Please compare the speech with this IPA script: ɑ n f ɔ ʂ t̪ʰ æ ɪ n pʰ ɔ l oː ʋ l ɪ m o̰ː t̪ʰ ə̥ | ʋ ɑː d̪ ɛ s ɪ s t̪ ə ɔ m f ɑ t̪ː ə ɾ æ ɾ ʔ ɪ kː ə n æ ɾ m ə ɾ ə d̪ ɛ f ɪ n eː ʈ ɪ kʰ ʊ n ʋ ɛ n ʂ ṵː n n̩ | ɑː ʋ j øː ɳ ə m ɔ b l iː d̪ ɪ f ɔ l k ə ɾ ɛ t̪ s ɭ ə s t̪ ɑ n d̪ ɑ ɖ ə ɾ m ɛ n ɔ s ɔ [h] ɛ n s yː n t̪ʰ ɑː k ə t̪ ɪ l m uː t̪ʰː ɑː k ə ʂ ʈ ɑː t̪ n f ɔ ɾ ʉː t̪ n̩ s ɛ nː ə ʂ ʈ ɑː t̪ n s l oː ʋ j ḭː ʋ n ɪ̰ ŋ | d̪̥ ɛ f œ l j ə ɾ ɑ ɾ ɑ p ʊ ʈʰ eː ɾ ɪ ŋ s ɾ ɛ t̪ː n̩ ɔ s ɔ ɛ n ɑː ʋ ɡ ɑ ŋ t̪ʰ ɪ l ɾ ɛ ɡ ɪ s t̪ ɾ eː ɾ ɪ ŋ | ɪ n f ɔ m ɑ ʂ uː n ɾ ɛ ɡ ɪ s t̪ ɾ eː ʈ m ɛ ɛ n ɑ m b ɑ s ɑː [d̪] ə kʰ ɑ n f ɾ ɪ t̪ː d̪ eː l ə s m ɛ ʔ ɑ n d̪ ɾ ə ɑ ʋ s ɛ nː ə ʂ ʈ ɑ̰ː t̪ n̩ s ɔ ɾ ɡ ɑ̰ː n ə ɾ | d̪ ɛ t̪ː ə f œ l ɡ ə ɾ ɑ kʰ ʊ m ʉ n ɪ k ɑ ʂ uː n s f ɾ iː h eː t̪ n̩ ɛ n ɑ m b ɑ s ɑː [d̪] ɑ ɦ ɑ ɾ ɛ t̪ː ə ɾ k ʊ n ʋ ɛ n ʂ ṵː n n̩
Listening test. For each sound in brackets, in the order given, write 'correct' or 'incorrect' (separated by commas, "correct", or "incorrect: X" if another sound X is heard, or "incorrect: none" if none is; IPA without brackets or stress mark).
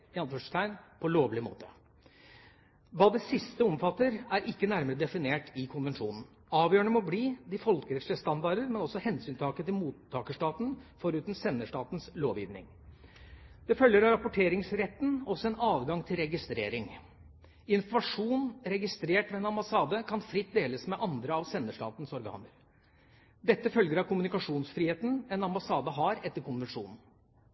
correct, correct, correct